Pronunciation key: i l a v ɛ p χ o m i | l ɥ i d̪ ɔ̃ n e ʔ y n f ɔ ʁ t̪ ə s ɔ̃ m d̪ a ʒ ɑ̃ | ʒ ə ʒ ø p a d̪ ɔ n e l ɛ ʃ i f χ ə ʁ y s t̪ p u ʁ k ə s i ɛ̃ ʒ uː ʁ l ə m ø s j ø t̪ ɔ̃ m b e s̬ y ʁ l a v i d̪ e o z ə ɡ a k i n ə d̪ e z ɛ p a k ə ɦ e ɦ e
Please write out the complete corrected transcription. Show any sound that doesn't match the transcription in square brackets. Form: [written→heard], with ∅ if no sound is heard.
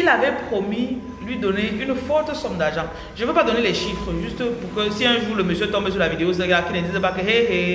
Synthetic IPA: i l a v ɛ p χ o m i | l ɥ i d̪ [ɔ̃→ɔ] n e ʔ y n f ɔ ʁ t̪ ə s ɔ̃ m d̪ a ʒ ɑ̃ | ʒ ə [ʒ→v] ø p a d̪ ɔ n e l ɛ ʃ i f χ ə [ʁ→ʒ] y s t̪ p u ʁ k ə s i ɛ̃ ʒ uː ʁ l ə m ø s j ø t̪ ɔ̃ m b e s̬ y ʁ l a v i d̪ e o z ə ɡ a k i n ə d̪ [e→i] z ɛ p a k ə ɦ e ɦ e